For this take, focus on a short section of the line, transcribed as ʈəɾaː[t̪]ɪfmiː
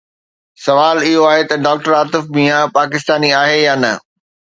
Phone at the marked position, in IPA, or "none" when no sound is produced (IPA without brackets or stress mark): t̪